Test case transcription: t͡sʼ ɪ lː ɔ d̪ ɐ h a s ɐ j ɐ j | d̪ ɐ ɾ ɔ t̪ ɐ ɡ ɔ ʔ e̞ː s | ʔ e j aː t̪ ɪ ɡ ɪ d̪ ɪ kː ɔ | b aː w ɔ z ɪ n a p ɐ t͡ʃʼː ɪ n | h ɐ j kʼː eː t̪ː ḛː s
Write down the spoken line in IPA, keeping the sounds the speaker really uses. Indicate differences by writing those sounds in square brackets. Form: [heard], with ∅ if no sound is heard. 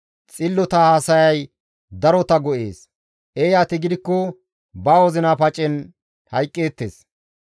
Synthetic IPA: t͡sʼ ɪ lː ɔ [t̪] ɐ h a s ɐ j ɐ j | d̪ ɐ ɾ ɔ t̪ ɐ ɡ ɔ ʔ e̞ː s | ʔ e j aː t̪ ɪ ɡ ɪ d̪ ɪ kː ɔ | b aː w ɔ z ɪ n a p ɐ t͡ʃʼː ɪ n | h ɐ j kʼː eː t̪ː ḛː s